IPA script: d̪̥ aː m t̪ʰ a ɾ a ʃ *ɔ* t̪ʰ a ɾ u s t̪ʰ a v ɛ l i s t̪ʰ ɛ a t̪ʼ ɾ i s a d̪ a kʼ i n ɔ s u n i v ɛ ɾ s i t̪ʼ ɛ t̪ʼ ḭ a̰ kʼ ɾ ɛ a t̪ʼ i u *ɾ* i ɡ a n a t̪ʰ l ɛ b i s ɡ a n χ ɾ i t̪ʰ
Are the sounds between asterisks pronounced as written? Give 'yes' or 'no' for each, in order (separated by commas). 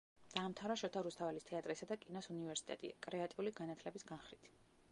yes, no